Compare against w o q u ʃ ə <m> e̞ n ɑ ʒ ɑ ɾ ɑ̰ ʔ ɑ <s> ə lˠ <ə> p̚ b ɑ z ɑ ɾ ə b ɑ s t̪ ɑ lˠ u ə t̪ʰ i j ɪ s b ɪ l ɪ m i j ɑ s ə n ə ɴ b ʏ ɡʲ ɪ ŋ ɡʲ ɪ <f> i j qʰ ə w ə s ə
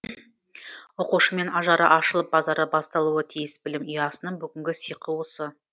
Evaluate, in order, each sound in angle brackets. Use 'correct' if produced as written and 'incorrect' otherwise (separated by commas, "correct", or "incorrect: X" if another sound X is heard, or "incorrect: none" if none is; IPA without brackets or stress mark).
correct, incorrect: ʃ, correct, incorrect: s